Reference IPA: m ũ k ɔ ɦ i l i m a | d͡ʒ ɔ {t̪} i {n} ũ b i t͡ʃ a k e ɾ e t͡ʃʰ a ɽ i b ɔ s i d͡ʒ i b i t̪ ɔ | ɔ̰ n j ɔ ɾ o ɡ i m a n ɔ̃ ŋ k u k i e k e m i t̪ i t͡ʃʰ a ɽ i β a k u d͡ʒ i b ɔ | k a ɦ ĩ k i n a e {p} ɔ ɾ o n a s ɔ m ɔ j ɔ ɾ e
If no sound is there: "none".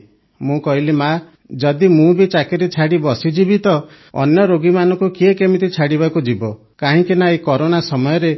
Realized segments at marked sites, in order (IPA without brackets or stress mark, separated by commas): d̪, m, k